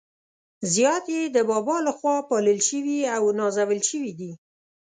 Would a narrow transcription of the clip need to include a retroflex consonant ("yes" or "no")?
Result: no